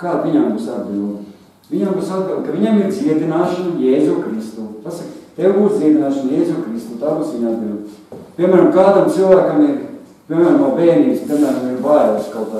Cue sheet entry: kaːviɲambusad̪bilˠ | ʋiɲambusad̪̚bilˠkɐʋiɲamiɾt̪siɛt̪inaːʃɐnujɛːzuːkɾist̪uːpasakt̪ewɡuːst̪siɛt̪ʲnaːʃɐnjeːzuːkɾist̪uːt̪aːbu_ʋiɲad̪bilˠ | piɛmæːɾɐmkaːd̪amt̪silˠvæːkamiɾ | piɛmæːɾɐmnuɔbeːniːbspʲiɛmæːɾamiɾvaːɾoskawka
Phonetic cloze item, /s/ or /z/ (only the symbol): s